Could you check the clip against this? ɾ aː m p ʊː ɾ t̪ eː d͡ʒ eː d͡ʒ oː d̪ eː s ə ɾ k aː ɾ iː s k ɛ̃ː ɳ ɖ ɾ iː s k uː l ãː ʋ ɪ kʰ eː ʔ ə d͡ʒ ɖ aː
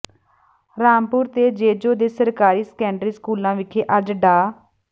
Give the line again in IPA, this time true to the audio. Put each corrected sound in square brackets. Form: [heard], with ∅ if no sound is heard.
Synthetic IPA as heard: ɾ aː m p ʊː ɾ t̪ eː d͡ʒ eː d͡ʒ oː d̪ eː s ə ɾ k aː ɾ iː s k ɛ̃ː ɳ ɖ ɾ iː s k uː l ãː ʋ ɪ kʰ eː ʔ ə d͡ʒ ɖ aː

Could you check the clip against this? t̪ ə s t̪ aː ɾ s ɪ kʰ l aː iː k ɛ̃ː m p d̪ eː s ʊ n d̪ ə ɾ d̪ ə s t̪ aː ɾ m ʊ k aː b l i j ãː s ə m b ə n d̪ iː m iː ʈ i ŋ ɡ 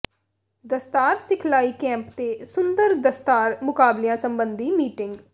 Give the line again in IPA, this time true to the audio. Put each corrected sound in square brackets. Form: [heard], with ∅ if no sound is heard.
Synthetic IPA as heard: [d̪] ə s t̪ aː ɾ s ɪ kʰ l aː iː k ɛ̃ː m p [t̪] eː s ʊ n d̪ ə ɾ d̪ ə s t̪ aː ɾ m ʊ k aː b l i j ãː s ə m b ə n d̪ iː m iː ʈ [ɪ] ŋ ɡ

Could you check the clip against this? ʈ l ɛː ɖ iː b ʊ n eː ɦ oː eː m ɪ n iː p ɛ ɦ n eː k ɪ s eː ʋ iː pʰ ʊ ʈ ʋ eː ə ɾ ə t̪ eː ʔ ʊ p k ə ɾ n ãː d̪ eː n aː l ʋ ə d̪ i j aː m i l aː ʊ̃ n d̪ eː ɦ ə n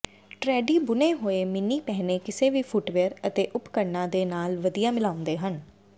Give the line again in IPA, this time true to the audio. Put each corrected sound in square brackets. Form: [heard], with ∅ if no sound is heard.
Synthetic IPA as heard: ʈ [ɾ] ɛː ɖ iː b ʊ n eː ɦ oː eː m ɪ n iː p ɛ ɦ n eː k ɪ s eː ʋ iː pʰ ʊ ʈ ʋ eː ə ɾ ə t̪ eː ʔ ʊ p k ə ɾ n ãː d̪ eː n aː l ʋ ə d̪ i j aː m [ɪ] l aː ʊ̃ n d̪ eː ɦ ə n

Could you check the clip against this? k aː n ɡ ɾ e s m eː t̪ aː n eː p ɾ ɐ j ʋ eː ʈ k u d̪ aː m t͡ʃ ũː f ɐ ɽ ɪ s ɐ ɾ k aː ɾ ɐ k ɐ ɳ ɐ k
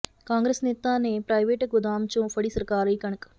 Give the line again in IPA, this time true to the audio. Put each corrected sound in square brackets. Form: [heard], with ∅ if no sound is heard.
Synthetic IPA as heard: k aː [ŋ] ɡ ɾ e s [n] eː t̪ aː n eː p ɾ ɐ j ʋ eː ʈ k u d̪ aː m t͡ʃ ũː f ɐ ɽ [i] s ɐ ɾ k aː ɾ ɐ k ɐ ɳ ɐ k

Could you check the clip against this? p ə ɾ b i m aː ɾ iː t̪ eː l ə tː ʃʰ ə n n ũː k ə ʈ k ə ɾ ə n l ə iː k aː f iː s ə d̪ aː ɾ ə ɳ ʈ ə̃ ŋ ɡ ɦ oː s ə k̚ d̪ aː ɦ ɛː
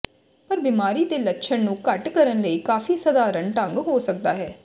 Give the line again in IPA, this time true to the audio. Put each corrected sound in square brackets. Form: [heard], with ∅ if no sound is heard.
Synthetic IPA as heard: p ə ɾ b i m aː ɾ iː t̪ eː l ə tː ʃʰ ə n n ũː k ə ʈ k ə ɾ ə n l ə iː k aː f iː s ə d̪ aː ɾ ə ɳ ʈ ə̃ ŋ ɡ ɦ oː s ə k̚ d̪ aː ɦ ɛː

